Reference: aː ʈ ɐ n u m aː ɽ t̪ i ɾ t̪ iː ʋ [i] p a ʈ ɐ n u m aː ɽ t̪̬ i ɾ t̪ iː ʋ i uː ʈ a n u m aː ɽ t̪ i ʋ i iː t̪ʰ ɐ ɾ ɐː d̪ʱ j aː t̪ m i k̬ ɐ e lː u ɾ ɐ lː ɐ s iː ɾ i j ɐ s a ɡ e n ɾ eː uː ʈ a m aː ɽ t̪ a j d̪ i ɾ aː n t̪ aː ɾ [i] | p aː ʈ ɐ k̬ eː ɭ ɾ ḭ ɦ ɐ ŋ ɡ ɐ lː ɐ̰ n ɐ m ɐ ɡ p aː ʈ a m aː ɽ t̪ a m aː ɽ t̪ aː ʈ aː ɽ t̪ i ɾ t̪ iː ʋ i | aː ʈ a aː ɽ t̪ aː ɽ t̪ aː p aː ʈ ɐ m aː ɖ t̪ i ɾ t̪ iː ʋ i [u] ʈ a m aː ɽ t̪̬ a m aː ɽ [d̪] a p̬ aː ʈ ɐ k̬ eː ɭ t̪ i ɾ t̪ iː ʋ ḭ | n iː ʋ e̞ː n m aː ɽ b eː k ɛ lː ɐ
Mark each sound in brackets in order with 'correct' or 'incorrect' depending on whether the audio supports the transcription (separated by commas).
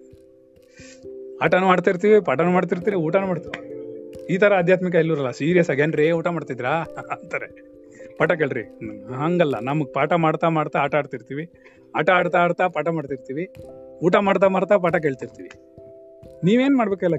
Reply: correct, incorrect, incorrect, incorrect